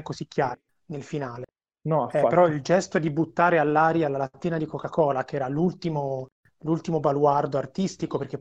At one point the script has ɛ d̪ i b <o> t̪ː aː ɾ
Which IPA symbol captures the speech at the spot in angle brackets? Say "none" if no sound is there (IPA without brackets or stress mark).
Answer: u